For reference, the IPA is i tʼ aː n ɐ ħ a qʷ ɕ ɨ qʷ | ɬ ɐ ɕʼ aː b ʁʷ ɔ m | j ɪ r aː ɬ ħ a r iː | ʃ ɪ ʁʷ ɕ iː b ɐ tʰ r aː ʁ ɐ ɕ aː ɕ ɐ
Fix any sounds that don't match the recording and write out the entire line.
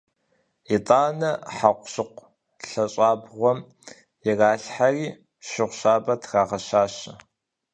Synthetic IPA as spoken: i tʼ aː n ɐ ħ a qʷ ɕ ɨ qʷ | ɬ ɐ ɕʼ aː b ʁʷ ɔ m | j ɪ r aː ɬ ħ a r iː | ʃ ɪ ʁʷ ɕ aː b ɐ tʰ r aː ʁ ɐ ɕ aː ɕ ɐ